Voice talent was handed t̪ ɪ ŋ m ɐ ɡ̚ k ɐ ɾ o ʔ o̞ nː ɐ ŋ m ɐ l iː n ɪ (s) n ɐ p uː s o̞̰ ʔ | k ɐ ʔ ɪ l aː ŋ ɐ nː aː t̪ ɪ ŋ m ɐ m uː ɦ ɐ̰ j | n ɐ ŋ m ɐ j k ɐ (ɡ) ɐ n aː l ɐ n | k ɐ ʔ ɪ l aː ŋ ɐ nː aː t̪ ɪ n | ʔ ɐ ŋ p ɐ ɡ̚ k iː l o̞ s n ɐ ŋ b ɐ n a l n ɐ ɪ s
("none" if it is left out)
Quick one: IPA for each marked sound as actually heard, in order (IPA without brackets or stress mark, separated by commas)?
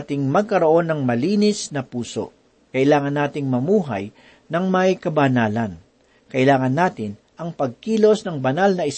s, b